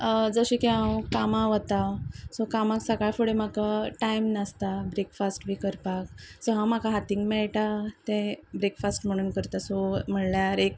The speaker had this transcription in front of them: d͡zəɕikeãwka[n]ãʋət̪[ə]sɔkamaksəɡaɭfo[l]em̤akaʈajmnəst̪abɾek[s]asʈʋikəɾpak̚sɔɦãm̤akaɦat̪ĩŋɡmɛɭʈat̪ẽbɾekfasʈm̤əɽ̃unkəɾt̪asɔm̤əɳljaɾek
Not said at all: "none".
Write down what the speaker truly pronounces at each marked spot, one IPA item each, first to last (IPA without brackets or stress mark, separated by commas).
m, a, ɽ, f